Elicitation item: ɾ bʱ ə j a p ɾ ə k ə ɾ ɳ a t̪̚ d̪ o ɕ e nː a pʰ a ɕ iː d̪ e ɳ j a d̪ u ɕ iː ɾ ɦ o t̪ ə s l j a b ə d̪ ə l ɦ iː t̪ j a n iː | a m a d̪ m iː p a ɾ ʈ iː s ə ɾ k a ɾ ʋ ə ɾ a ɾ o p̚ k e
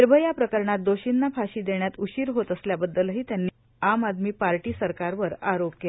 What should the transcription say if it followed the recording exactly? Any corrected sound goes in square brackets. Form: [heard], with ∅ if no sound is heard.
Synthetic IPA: ɾ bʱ ə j a p ɾ ə k ə ɾ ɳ a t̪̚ d̪ o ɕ [i] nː a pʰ a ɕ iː d̪ e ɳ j a [t̪] u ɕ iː ɾ ɦ o t̪ ə s l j a b ə [d̪ː] ə l ɦ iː t̪ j a [nː] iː | a m a d̪ m iː p a ɾ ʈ iː s ə ɾ k a ɾ ʋ ə ɾ a ɾ o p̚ k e